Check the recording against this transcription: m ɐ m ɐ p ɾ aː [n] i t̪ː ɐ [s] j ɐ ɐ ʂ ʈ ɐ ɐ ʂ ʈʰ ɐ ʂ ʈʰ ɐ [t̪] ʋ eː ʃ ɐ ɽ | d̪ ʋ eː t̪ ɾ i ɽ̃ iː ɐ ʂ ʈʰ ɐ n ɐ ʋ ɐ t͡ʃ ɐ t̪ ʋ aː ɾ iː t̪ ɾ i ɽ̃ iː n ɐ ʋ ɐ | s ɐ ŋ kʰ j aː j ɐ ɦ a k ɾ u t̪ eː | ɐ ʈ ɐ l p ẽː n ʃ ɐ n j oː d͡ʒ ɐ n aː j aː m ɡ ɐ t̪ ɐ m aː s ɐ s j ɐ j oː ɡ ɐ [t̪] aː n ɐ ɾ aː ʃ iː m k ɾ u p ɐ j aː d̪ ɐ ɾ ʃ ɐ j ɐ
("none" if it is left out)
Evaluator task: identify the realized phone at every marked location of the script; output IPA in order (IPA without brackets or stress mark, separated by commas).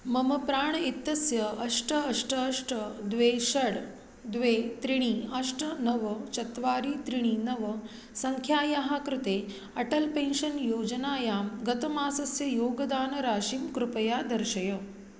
ɳ, s, d̪, d̪